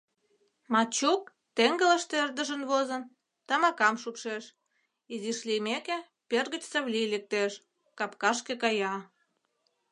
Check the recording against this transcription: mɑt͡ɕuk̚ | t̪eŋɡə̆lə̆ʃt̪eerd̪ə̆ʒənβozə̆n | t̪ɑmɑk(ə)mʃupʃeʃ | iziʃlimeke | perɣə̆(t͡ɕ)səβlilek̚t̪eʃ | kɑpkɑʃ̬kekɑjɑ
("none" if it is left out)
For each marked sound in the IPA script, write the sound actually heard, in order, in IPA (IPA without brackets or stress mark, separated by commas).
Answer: ɑ, t͡ɕ